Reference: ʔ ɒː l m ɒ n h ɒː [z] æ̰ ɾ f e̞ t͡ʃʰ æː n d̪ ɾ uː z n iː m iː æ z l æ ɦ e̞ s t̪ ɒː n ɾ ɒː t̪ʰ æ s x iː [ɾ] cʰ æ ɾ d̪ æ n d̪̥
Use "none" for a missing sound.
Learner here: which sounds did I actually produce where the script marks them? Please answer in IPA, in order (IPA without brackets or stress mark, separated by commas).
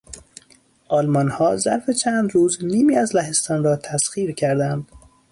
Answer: z, ɾ